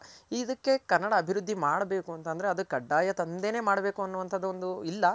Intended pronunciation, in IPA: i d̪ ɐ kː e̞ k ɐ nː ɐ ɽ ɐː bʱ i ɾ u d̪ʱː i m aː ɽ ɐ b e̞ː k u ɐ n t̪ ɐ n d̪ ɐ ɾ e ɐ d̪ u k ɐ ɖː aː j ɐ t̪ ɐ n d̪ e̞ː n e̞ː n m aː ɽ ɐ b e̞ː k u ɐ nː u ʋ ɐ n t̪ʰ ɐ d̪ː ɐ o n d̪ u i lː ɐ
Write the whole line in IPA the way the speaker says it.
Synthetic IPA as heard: i d̪ ɐ kː e̞ k ɐ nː ɐ ɽ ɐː bʱ i ɾ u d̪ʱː i m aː ɽ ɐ b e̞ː k u ɐ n t̪ ɐ n d̪ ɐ ɾ e ɐ d̪ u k ɐ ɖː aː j ɐ t̪ ɐ n d̪ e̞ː n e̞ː m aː ɽ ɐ b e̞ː k u ɐ nː u ʋ ɐ n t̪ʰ ɐ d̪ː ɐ o n d̪ u i lː ɐ